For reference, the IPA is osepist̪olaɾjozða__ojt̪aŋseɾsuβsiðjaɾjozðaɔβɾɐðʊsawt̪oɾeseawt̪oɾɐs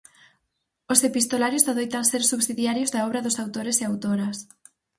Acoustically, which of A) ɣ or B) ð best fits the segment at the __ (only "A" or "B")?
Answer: B